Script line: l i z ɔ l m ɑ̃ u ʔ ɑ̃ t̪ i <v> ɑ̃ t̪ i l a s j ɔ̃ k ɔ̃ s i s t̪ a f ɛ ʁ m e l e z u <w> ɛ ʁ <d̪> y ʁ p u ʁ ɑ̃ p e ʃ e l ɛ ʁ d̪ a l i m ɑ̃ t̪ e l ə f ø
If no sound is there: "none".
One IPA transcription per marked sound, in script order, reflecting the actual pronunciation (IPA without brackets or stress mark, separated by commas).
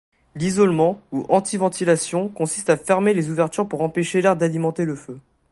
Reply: v, v, t̪